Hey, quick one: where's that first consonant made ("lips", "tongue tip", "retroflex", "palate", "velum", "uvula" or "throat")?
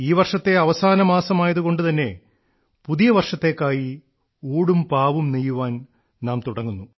lips